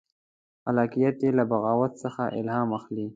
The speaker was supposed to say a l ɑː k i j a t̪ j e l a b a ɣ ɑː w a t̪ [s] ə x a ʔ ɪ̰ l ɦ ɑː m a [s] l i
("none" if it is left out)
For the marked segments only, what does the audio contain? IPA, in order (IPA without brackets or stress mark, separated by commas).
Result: s, x